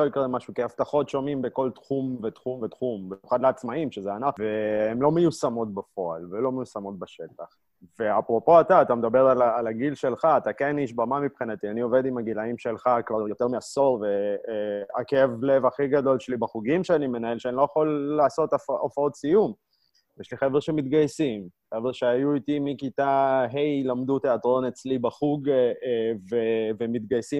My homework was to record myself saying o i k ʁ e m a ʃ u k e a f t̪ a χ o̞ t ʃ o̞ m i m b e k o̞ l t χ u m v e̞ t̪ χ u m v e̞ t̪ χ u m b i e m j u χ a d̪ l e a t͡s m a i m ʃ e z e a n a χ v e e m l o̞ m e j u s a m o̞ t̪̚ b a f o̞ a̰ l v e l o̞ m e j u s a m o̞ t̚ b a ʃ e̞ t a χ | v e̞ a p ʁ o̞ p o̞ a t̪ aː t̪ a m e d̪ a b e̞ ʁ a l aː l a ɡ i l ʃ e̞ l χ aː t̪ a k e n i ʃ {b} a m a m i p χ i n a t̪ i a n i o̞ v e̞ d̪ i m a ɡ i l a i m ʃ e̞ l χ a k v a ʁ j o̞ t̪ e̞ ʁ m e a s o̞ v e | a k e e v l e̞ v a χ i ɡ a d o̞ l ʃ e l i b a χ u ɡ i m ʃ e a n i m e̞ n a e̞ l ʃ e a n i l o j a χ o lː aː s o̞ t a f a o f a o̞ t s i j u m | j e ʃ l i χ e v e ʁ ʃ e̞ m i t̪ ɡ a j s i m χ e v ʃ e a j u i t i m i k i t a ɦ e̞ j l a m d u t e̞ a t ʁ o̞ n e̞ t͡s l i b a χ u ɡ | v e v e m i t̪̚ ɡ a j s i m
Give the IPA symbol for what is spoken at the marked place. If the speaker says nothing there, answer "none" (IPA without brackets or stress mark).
b